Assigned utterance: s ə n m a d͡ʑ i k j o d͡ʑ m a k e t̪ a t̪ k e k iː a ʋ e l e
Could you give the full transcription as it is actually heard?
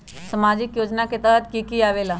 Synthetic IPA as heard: s ə m a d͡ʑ i k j o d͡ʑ n a k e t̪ a t̪ k i k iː a ʋ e l a